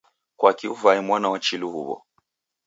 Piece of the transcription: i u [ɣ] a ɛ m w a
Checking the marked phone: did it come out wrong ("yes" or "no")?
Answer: yes